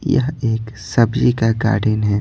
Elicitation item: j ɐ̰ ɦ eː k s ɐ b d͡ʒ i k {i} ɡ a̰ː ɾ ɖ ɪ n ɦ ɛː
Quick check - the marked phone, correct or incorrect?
incorrect: a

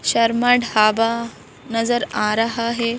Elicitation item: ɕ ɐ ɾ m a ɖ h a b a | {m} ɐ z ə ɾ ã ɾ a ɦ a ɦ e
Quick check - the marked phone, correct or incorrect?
incorrect: n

